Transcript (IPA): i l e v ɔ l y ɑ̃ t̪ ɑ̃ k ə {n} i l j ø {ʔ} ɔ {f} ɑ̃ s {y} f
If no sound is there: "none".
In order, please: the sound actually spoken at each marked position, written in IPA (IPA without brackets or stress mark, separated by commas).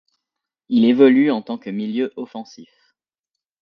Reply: m, ʔ, f, i